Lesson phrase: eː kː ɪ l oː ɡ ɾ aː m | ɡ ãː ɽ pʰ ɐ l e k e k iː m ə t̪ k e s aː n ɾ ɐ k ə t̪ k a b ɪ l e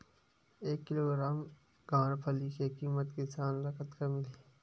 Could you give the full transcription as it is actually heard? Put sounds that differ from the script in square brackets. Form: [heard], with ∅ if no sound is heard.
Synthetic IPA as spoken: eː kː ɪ l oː ɡ ɾ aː m | ɡ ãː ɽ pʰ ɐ l [i] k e k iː m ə t̪ k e s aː n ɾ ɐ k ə t̪ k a [m] ɪ l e